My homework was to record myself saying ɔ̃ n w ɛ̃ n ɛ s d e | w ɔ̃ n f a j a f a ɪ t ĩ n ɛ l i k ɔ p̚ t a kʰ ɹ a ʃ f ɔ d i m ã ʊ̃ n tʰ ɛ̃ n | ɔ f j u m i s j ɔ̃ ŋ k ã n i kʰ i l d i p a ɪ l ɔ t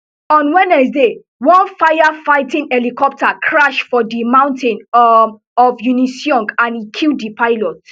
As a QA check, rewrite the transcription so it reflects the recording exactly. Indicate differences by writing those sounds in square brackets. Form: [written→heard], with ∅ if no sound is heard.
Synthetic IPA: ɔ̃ n w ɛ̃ n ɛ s d e | w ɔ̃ n f a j a f a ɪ t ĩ n ɛ l i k ɔ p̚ t a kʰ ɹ a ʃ f ɔ d i m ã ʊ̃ n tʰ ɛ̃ n | ɔ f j u [m→n] i s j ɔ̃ ŋ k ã n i kʰ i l d i p a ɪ l ɔ t